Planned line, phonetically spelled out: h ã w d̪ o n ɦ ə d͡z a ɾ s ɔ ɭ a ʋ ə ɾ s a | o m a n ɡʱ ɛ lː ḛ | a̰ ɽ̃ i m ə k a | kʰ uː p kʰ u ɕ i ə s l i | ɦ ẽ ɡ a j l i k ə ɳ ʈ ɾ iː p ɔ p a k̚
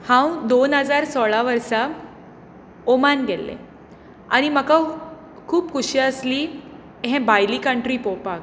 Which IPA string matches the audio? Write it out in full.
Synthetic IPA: h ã w d̪ o n ɦ ə d͡z a ɾ s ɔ ɭ a ʋ ə ɾ s a | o m a n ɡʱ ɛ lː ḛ | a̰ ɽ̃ i m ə k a | kʰ uː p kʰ u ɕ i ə s l i | ɦ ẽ b a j l i k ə ɳ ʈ ɾ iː p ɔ p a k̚